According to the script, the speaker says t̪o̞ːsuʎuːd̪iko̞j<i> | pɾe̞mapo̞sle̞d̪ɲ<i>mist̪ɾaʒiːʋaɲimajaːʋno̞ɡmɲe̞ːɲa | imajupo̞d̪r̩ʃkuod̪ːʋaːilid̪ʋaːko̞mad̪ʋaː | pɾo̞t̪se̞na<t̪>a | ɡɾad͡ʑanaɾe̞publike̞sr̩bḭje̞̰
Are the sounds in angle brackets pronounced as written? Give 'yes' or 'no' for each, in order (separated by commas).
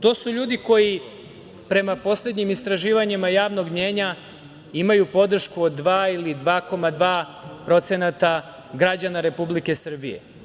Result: yes, yes, yes